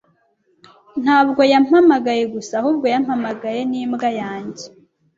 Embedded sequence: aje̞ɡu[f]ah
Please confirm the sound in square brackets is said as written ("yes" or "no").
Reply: no